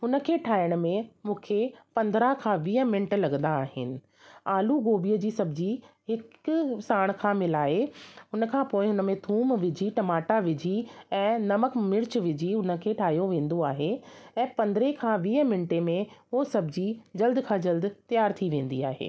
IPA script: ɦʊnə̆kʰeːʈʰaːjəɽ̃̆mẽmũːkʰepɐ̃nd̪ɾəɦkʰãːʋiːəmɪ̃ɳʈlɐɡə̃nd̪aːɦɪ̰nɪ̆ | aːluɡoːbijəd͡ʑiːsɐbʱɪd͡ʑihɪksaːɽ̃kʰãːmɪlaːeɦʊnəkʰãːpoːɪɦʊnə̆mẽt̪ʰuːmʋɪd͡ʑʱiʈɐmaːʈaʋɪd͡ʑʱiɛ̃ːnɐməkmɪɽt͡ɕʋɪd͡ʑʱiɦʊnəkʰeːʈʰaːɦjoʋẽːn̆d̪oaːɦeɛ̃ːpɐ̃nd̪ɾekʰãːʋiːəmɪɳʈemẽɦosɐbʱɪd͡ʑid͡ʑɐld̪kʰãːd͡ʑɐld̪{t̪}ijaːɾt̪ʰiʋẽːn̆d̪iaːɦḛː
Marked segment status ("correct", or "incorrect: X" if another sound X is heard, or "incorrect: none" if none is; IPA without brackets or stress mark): correct